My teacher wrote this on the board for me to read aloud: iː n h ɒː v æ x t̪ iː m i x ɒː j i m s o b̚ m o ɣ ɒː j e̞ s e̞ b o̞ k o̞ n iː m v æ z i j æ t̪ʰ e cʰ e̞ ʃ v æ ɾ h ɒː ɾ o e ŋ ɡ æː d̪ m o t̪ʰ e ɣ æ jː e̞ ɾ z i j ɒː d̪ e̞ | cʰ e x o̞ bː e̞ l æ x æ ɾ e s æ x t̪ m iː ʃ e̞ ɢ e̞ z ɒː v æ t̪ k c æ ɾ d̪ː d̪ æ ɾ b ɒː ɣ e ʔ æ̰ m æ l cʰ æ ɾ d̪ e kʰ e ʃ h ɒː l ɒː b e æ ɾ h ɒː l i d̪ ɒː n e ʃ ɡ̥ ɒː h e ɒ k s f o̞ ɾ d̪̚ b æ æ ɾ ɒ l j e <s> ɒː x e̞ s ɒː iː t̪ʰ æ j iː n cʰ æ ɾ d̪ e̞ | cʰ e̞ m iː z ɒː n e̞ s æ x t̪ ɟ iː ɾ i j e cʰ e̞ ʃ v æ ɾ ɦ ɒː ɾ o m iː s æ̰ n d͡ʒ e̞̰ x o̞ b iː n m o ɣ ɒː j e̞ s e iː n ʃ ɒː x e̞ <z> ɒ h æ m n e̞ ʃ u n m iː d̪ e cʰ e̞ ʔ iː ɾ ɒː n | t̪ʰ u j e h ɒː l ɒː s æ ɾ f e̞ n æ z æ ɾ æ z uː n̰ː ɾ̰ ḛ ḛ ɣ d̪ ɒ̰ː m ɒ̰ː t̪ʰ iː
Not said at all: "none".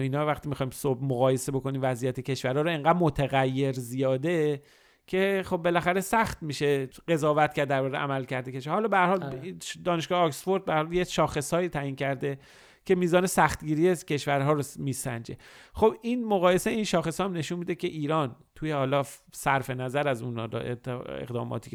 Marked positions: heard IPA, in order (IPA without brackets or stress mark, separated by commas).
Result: ʃ, s